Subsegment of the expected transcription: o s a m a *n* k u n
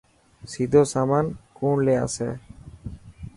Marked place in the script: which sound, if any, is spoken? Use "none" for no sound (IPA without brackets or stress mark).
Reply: n